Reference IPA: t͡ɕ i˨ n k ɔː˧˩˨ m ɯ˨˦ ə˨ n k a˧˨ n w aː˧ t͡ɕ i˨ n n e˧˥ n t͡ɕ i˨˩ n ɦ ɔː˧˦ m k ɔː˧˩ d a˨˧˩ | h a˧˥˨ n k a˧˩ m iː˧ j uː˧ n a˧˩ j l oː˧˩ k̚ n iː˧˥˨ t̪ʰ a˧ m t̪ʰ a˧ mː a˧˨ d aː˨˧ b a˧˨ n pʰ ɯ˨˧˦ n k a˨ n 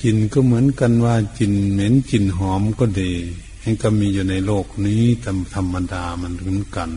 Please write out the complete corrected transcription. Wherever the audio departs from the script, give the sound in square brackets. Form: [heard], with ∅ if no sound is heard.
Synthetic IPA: t͡ɕ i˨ n k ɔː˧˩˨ m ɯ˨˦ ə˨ n k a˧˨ n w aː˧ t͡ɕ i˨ n [m] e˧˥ n t͡ɕ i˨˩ n ɦ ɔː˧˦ m k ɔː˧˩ d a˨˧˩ | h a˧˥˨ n k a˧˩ m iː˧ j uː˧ n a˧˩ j l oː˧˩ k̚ n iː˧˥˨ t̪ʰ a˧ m t̪ʰ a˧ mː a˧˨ d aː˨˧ [m] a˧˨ n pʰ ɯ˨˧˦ n k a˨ n